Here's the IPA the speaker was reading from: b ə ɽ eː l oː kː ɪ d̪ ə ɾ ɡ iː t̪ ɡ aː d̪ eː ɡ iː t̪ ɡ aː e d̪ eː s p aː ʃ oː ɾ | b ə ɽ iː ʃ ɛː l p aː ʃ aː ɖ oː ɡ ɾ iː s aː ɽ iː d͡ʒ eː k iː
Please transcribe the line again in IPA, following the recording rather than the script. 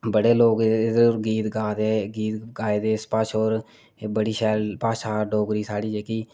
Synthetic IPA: b ə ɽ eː l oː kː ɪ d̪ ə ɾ ɡ iː t̪ ɡ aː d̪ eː ɡ iː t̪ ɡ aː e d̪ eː s p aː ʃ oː ɾ | b ə ɽ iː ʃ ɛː l p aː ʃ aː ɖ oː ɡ ɾ iː s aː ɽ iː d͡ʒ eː k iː